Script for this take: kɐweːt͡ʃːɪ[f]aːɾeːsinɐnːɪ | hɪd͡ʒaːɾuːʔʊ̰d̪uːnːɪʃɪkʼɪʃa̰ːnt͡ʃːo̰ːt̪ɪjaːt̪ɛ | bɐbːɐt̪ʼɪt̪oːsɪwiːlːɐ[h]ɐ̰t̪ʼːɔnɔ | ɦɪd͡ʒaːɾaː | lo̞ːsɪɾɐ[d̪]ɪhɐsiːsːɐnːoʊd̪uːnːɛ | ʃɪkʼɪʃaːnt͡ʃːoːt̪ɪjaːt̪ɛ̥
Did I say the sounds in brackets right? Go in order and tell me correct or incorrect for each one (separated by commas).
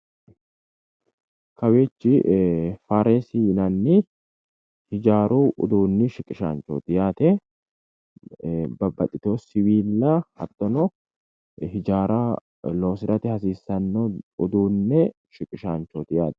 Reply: correct, correct, incorrect